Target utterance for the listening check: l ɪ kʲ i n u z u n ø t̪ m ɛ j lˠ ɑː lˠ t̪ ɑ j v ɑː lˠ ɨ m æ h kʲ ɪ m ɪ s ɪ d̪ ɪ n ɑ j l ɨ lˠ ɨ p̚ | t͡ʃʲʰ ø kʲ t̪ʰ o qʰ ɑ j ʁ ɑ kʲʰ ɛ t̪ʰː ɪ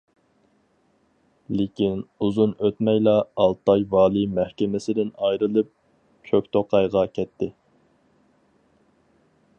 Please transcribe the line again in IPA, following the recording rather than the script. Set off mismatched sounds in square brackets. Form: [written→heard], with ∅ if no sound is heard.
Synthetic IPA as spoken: l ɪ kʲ i n u z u n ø t̪ m ɛ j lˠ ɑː lˠ t̪ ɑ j v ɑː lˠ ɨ m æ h kʲ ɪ m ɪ s ɪ d̪ ɪ n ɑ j [l→ɾ] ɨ lˠ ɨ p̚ | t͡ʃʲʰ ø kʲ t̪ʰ o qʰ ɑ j ʁ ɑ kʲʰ ɛ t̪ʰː ɪ